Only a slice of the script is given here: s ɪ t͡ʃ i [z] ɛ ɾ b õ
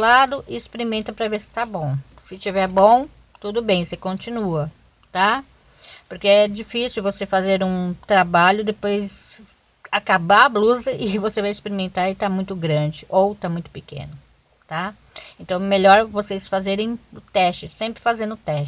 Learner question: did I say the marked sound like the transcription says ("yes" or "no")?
no